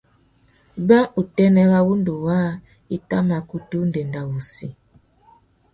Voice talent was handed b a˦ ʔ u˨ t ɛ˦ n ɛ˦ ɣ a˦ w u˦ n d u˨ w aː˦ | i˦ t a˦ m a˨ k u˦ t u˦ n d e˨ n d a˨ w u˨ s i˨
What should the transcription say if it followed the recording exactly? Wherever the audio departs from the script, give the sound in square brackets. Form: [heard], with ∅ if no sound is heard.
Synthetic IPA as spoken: b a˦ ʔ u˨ t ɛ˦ n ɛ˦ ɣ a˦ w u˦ n d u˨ w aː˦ | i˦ t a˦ m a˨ k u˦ t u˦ n d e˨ n d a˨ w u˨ s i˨